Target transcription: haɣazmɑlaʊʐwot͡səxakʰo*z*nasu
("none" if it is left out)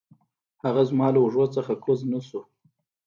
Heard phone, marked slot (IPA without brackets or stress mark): z